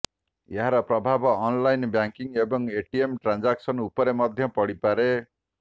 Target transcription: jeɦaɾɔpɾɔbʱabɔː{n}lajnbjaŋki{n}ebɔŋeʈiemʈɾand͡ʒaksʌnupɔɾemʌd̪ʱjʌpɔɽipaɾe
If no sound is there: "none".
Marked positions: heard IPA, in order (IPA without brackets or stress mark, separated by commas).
n, ŋ